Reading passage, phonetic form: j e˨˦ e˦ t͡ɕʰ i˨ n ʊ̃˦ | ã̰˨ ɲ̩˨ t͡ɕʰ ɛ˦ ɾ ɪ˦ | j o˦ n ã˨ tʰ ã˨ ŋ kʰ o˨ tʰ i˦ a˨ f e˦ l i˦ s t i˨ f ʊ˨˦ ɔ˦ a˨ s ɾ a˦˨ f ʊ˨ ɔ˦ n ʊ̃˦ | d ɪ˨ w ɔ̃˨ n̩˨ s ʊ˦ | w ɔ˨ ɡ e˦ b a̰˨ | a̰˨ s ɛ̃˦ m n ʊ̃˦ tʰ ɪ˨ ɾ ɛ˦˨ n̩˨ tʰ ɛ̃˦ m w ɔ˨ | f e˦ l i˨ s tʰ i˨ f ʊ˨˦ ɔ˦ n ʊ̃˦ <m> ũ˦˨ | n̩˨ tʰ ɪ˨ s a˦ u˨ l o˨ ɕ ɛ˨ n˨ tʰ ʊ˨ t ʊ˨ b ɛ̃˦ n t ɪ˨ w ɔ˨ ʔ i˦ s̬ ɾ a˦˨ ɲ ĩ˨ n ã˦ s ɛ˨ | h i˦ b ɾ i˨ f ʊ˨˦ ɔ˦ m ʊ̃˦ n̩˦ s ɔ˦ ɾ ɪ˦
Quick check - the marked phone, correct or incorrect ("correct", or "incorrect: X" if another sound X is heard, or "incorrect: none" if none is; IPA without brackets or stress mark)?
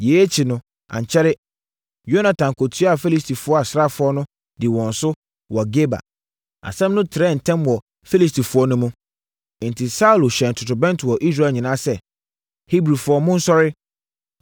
correct